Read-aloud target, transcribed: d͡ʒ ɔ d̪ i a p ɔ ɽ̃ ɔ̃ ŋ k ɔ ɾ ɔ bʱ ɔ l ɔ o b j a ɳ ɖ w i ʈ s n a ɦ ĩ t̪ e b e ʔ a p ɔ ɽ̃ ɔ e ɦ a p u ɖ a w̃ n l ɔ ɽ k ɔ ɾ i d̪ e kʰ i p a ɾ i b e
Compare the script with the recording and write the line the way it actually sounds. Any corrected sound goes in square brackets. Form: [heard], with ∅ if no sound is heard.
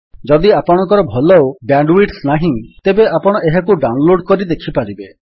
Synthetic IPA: d͡ʒ ɔ d̪ i a p ɔ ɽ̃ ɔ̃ ŋ k ɔ ɾ ɔ bʱ ɔ l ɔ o b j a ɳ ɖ w i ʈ s n a ɦ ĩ t̪ e b e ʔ a p ɔ ɽ̃ ɔ e ɦ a [k] u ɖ a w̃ n l [o] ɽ k ɔ ɾ i d̪ e kʰ i p a ɾ i b e

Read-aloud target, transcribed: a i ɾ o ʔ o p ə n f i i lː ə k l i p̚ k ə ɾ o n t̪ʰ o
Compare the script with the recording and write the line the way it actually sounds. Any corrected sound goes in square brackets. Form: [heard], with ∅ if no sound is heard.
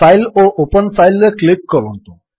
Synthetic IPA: a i [l] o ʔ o p ə n f [a] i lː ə k l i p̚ k ə ɾ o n [t̪] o

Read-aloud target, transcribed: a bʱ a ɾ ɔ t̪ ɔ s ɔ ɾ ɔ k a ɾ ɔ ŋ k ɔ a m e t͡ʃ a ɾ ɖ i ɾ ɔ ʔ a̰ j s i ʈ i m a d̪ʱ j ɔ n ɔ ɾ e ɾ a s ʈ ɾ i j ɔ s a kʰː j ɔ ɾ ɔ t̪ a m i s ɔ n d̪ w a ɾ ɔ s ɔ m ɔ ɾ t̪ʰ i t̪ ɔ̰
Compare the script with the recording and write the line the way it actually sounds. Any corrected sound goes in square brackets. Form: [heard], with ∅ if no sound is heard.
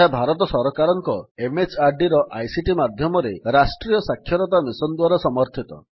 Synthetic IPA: a bʱ a ɾ ɔ t̪ ɔ s ɔ ɾ ɔ k a ɾ ɔ ŋ k ɔ [e] m e t͡ʃ a ɾ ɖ i ɾ ɔ ʔ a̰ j s i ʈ i m a d̪ʱ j ɔ [m] ɔ ɾ e ɾ a s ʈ ɾ i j ɔ s a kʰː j ɔ ɾ ɔ t̪ a m i s ɔ n d̪ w a ɾ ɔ s ɔ m ɔ ɾ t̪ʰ i t̪ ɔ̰

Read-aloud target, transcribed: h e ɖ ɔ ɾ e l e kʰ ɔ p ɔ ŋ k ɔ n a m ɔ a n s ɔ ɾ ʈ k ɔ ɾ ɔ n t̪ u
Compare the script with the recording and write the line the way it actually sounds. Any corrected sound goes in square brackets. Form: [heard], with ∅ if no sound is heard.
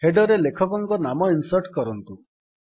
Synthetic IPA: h e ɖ ɔ ɾ e l e kʰ ɔ [k] ɔ ŋ k ɔ n a m ɔ [i] n s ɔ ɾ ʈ k ɔ ɾ ɔ n t̪ u

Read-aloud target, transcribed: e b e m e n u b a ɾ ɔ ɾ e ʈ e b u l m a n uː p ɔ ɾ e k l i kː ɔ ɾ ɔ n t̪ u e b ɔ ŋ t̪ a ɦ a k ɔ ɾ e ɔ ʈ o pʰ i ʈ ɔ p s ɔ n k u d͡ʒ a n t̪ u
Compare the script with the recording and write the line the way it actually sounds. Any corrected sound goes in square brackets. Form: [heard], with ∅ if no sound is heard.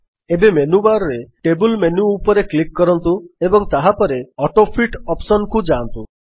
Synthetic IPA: e b e m e n u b a ɾ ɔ ɾ e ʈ e b u l m [e] n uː p ɔ ɾ e k l i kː ɔ ɾ ɔ n t̪ u e b ɔ ŋ t̪ a ɦ a [p] ɔ ɾ e ɔ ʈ o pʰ i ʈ ɔ p s ɔ n k u d͡ʒ a n t̪ u

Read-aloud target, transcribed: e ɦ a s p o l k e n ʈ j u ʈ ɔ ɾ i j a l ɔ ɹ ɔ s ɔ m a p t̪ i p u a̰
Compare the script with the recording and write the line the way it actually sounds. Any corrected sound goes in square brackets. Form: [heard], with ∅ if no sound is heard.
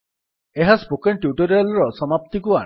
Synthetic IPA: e ɦ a s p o [∅] k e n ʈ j u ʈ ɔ ɾ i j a l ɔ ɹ ɔ s ɔ m a p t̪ i [k] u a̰

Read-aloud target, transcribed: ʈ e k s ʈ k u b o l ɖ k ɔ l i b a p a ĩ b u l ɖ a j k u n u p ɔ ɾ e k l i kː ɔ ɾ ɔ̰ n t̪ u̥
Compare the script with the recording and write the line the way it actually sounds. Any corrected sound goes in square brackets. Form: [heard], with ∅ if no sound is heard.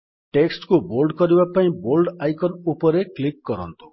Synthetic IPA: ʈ e k s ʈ k u b o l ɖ k ɔ [ɾ] i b a p a ĩ b [o] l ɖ a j k [ɔ] n u p ɔ ɾ e k l i kː ɔ ɾ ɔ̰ n t̪ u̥

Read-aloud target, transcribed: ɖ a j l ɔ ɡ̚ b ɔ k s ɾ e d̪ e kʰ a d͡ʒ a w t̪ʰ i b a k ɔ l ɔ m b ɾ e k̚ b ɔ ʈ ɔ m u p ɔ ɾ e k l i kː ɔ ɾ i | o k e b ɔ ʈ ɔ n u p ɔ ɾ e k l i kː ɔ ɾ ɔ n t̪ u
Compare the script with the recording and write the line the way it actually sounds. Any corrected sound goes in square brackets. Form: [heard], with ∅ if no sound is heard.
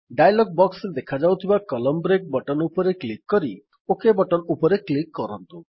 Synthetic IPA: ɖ a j l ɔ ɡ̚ b ɔ k s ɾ e d̪ e kʰ a d͡ʒ a w t̪ʰ i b a k ɔ l ɔ m b ɾ e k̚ b ɔ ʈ ɔ [n] u p ɔ ɾ e k l i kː ɔ ɾ i | o k e b ɔ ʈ ɔ n u p ɔ ɾ e k l i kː ɔ ɾ ɔ n t̪ u

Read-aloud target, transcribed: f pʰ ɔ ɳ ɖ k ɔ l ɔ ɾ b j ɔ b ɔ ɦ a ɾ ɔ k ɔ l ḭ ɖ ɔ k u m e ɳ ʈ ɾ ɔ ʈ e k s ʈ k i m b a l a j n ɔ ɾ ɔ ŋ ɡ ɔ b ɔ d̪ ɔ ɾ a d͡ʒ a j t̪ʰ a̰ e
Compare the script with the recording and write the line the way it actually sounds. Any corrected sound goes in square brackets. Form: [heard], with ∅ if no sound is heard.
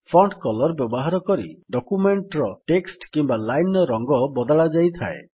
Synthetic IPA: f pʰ ɔ ɳ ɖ k ɔ l ɔ ɾ b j ɔ b ɔ ɦ a ɾ ɔ k ɔ [ɾ] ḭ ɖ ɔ k u m e ɳ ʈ ɾ ɔ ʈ e k s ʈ k i m b a l a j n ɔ ɾ ɔ ŋ ɡ ɔ b ɔ d̪ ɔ [ɭ] a d͡ʒ a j t̪ʰ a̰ e

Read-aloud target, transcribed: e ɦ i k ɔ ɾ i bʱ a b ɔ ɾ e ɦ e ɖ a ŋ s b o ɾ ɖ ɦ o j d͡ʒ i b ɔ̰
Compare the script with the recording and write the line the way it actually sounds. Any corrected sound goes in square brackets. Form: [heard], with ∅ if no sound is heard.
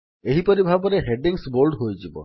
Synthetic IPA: e ɦ i [p] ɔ ɾ i bʱ a b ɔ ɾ e ɦ e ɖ [i] ŋ s b o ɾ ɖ ɦ o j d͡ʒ i b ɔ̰

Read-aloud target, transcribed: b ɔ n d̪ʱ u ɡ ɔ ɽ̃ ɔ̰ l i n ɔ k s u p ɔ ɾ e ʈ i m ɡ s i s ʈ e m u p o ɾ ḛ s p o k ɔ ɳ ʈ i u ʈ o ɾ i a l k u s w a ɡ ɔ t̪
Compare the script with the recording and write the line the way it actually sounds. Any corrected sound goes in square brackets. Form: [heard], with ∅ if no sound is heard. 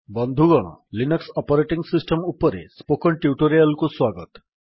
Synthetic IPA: b ɔ n d̪ʱ u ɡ ɔ ɽ̃ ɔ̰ l i n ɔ k s [ɔ] p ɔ ɾ e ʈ i [ŋ] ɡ s i s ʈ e m u p [ɔ] ɾ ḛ s p o k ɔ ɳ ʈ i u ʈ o ɾ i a l k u s w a ɡ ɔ t̪

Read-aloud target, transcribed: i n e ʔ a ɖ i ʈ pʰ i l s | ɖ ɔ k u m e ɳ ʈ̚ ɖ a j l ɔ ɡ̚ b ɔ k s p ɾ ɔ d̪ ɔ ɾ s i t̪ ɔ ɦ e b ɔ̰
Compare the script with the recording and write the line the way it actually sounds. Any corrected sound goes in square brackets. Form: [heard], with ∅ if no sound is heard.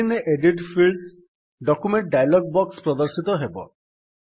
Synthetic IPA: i n e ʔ [e] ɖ i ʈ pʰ i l s | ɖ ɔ k u m e ɳ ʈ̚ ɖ a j l ɔ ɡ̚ b ɔ k s p ɾ ɔ d̪ ɔ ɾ s i t̪ ɔ ɦ e b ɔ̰

